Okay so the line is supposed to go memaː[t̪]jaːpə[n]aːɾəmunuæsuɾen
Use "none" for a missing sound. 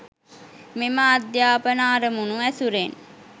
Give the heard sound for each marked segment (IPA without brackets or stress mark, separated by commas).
d̪, n